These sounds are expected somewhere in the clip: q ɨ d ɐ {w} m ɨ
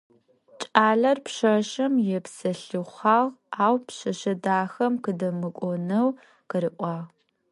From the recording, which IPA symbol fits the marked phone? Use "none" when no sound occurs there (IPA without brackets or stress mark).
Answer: none